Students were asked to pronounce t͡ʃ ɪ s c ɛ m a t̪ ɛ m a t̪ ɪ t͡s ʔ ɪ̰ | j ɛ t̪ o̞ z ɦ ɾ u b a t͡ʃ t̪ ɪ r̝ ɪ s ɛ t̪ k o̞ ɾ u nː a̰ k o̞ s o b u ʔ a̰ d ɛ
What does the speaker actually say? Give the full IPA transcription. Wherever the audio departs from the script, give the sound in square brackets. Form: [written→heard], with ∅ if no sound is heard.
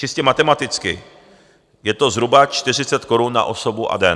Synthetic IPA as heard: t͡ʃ ɪ s c ɛ m a t̪ ɛ m a t̪ ɪ t͡s [ʔ→k] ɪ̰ | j ɛ t̪ o̞ z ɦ ɾ u b a t͡ʃ t̪ ɪ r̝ ɪ [s→t͡s] ɛ t̪ k o̞ ɾ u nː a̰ [k→ʔ] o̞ s o b u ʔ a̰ d ɛ